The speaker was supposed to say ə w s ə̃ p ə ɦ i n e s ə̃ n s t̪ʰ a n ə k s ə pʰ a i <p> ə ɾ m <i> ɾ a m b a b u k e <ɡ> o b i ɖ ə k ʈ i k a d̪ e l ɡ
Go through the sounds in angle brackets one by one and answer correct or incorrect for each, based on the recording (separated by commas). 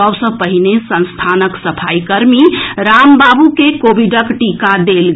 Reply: incorrect, correct, incorrect